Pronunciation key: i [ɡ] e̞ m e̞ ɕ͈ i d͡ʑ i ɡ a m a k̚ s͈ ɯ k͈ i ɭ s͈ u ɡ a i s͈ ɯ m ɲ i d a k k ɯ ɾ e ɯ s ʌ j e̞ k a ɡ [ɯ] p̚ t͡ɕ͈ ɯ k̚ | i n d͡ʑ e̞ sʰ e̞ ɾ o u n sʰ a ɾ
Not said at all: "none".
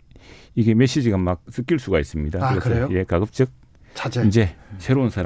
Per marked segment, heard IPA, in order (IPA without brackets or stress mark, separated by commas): ɡ, ɯ